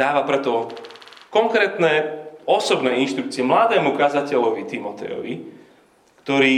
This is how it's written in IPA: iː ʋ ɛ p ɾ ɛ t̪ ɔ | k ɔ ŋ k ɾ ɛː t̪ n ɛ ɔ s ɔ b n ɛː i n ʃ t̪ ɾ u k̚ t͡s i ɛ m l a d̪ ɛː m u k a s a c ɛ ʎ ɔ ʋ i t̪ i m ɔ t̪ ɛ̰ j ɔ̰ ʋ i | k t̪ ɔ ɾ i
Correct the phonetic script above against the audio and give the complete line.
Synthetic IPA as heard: aː ʋ a p ɾ ɛ t̪ ɔ | k ɔ ŋ k ɾ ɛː t̪ n ɛ ɔ s ɔ b n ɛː i n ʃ t̪ ɾ u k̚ t͡s i ɛ m l a d̪ ɛː m u k a z a c ɛ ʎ ɔ ʋ i t̪ i m ɔ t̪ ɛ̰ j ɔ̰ ʋ i | k t̪ ɔ ɾ iː